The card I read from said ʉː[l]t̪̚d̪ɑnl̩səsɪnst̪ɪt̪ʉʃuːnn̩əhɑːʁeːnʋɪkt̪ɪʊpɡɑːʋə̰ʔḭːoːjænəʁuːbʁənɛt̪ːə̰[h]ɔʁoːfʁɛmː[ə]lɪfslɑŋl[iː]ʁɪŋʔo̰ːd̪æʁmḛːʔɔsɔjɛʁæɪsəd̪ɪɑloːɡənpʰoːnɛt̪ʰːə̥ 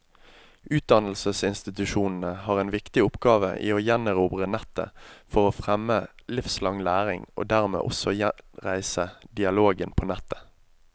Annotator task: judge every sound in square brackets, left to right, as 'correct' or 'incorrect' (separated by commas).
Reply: incorrect, incorrect, correct, incorrect